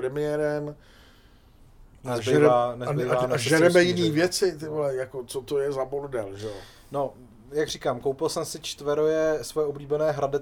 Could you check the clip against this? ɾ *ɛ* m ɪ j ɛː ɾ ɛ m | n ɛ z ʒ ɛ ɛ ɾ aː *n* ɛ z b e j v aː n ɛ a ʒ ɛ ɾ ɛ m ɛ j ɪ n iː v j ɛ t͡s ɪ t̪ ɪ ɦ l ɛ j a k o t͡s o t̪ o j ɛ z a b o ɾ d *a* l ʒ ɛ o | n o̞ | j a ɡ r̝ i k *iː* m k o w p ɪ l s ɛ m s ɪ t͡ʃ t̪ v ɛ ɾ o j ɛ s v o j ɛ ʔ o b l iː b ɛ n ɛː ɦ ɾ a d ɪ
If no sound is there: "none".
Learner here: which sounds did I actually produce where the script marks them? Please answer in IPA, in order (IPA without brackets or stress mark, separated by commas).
ɛ, n, ɛ, aː